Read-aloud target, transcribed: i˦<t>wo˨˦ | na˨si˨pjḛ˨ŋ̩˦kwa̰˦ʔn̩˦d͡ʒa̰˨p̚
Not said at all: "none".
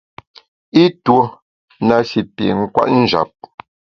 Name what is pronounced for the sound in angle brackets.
t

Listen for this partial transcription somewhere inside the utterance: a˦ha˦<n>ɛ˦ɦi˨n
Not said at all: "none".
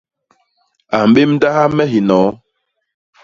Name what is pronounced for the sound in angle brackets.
m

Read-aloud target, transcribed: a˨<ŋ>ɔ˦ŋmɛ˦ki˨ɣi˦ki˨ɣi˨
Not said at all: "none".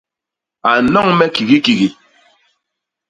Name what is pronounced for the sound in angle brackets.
n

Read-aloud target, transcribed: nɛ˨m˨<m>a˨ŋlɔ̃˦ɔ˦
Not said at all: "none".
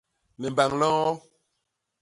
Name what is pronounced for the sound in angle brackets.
b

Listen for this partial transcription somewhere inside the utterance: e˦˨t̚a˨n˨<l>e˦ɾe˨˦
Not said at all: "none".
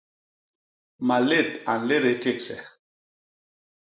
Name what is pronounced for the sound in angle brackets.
l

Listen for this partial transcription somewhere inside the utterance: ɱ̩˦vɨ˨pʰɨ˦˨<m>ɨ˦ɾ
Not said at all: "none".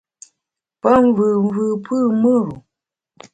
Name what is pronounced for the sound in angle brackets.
m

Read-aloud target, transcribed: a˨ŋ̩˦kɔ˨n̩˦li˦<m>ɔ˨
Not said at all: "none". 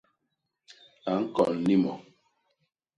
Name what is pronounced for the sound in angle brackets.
m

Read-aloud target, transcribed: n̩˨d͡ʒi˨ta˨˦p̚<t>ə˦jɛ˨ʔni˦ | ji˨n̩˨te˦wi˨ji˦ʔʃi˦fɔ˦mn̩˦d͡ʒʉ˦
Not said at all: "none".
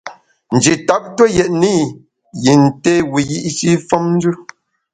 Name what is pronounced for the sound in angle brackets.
t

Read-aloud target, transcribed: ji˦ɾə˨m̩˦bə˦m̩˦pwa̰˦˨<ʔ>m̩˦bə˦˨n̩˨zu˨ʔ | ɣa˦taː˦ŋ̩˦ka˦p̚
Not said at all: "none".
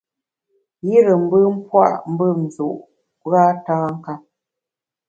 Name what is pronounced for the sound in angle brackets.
ʔ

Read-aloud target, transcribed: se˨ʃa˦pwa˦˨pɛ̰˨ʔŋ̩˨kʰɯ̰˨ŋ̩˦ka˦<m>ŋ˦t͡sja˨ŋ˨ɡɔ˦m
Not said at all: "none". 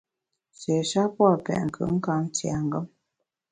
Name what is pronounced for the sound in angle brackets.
none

